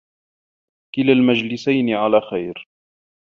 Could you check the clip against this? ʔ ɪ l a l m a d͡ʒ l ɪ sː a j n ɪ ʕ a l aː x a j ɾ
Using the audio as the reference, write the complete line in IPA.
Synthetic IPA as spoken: k ɪ l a l m a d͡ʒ l ɪ s a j n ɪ ʕ a l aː x a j ɾ

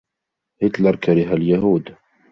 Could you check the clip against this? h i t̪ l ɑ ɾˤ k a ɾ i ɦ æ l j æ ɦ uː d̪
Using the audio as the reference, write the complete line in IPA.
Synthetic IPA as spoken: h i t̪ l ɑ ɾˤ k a ɾ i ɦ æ l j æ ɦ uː d̪

